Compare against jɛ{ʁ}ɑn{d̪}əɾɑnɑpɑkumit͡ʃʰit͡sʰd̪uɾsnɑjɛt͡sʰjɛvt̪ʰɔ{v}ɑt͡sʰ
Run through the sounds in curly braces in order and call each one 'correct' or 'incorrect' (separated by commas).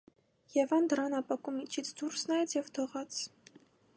incorrect, correct, incorrect